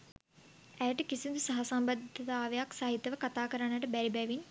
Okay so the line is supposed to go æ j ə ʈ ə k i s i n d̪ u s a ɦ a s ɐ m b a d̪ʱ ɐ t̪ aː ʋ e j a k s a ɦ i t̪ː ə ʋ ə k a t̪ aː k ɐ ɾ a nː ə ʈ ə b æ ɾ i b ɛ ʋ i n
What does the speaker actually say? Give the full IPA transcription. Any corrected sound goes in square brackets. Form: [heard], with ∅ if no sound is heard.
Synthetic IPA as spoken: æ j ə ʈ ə k i s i n d̪ u s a ɦ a s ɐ m b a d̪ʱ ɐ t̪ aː ʋ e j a k s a ɦ i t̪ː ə ʋ ə k a t̪ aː k [ə] ɾ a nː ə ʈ ə b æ ɾ i b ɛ ʋ i n